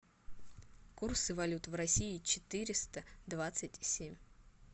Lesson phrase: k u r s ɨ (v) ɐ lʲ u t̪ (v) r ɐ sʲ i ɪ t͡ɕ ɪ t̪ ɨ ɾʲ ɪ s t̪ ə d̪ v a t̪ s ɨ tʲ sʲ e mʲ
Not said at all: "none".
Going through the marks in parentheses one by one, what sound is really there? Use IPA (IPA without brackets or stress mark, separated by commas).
v, v